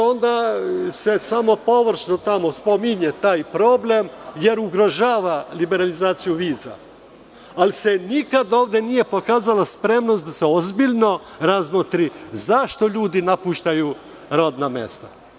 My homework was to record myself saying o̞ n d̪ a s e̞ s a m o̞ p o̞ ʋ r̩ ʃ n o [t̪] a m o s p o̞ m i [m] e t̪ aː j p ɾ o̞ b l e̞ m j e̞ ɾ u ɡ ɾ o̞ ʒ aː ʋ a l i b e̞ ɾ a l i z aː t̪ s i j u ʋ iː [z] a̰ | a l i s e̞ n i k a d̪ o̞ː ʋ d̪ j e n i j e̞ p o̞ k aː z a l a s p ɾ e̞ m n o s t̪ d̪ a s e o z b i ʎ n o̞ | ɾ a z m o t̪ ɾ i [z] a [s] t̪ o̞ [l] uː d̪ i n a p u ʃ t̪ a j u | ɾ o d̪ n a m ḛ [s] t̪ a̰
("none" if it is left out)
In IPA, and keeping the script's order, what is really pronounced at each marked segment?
t̪, ɲ, z, z, ʃ, ʎ, s

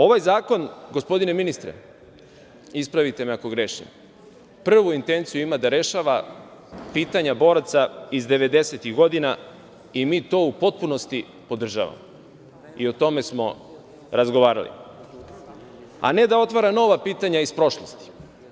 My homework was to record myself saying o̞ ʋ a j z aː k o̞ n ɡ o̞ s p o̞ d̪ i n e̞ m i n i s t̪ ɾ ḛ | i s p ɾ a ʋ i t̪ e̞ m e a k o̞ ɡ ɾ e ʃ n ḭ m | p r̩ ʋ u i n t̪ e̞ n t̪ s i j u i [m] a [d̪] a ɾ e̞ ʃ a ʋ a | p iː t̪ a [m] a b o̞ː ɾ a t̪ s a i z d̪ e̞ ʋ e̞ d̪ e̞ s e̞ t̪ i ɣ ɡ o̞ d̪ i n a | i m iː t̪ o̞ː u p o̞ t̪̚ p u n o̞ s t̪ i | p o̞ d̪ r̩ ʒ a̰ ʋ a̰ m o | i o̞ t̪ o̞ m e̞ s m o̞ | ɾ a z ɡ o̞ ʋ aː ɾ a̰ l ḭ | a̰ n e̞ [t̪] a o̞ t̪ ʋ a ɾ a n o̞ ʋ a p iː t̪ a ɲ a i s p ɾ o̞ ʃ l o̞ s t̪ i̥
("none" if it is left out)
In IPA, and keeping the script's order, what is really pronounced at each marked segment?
m, d̪, ɲ, d̪

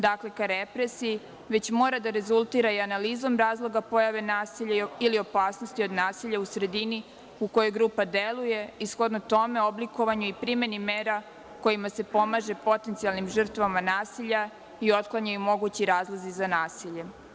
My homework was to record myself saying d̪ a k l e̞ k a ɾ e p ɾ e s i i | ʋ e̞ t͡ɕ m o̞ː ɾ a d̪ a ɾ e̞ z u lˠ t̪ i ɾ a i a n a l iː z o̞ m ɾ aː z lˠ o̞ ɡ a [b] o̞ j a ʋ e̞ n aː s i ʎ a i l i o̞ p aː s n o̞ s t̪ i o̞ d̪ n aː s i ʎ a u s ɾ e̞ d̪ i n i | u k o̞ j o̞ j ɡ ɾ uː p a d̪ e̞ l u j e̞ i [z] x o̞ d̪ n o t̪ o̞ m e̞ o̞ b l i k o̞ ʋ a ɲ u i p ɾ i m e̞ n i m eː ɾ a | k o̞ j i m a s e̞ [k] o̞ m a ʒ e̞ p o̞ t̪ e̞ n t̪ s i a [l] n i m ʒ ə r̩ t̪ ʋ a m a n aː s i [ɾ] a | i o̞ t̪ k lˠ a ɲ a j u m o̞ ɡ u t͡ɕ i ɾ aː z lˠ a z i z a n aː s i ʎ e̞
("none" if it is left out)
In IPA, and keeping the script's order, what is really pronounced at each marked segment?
p, s, p, l, ʎ

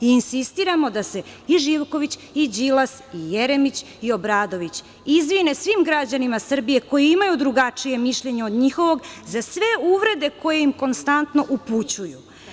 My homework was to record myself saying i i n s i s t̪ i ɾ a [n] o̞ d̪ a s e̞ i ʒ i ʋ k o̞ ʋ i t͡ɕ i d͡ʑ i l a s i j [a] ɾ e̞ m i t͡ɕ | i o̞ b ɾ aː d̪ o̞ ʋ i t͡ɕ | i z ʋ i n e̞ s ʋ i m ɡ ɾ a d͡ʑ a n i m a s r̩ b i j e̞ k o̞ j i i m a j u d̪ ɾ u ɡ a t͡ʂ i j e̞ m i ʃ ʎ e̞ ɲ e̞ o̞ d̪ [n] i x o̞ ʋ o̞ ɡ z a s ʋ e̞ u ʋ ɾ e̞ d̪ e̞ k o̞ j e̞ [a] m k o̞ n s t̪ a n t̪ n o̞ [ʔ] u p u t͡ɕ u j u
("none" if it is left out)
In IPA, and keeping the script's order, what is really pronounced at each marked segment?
m, e, ɲ, i, ʔ

